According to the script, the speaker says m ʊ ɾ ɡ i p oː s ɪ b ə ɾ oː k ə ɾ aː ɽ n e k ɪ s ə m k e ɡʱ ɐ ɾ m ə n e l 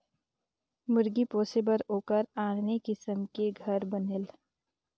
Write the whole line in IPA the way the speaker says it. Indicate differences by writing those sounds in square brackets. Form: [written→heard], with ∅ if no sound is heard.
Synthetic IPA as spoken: m ʊ ɾ ɡ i p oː s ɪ b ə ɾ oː k ə ɾ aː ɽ n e k ɪ s ə m k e ɡʱ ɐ ɾ [m→b] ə n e l